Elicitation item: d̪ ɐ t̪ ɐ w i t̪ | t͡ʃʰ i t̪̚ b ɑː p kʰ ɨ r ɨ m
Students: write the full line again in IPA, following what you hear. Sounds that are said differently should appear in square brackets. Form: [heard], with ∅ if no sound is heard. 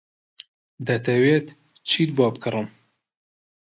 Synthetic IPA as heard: d̪ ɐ t̪ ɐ w [e] t̪ | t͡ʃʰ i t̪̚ b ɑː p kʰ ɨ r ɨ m

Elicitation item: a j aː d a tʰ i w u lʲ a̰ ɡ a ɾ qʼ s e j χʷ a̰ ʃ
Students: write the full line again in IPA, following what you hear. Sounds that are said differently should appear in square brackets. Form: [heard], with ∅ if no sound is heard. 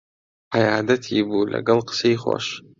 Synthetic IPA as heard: a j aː d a tʰ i [b] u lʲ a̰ ɡ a [l] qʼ s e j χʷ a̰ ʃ

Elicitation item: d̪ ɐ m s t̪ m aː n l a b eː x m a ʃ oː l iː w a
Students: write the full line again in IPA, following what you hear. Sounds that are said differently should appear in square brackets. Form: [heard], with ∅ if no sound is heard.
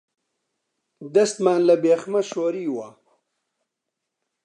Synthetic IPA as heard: d̪ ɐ [∅] s t̪ m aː n l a b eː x m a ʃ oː [ɾ] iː w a

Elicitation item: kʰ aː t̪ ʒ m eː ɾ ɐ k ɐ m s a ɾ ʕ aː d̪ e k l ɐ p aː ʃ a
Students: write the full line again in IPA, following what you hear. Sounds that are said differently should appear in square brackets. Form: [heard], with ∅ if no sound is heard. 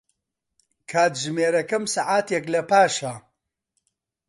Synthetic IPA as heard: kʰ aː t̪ ʒ m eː ɾ ɐ k ɐ m s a [∅] ʕ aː [t̪] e k l ɐ p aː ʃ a

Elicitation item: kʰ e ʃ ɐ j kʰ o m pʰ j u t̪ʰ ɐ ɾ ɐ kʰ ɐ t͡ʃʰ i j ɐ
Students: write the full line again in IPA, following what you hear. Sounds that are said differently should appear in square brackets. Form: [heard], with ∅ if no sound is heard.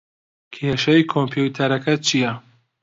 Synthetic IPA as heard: kʰ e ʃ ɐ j kʰ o m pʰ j u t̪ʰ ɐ ɾ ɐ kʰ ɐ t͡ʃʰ i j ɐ

